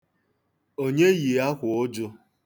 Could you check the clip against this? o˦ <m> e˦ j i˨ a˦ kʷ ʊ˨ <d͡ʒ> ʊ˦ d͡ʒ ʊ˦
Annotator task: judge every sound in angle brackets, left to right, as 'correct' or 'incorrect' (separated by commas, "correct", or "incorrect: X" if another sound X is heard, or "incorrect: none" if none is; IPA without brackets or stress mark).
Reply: incorrect: ɲ, incorrect: none